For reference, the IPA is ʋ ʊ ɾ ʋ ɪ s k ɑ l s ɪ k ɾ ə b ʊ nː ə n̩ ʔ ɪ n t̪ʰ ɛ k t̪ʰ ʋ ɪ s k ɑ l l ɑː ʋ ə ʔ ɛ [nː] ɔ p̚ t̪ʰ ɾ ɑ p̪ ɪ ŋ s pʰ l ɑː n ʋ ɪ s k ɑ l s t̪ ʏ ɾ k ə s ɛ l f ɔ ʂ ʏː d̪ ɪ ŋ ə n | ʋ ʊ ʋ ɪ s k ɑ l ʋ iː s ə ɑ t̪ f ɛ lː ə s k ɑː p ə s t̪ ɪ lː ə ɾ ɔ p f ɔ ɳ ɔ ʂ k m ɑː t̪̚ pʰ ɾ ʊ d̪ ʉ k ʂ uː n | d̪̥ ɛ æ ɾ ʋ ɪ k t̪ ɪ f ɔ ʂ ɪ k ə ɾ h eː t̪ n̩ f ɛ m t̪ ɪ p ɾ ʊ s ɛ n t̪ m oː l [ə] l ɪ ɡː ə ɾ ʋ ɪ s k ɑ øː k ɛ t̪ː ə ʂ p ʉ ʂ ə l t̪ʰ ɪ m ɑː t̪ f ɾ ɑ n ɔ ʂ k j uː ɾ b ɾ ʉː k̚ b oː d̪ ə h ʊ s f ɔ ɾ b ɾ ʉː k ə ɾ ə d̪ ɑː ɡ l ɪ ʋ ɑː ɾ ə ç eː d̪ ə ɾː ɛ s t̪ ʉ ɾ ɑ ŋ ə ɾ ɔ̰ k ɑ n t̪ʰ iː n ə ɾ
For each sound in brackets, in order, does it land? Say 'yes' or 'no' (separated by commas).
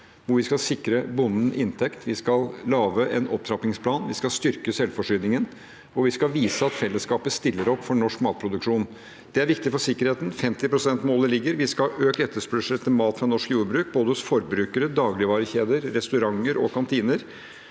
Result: no, yes